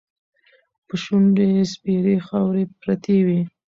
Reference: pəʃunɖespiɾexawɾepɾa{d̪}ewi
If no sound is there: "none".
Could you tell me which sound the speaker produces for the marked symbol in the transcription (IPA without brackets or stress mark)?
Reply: t̪